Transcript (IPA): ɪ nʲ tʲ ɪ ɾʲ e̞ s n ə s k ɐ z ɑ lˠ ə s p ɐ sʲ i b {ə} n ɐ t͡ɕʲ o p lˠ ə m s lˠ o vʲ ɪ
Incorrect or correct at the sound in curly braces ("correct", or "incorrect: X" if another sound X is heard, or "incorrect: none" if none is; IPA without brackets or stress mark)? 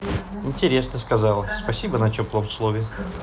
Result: correct